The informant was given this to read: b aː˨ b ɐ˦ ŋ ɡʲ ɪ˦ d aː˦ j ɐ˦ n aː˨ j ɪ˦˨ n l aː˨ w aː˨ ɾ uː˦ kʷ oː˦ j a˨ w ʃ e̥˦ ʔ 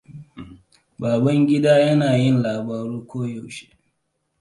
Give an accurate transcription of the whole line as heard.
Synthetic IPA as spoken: b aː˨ b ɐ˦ ŋ ɡʲ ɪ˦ d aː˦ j ɐ˦ n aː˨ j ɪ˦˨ n l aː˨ b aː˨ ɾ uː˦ kʷ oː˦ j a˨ w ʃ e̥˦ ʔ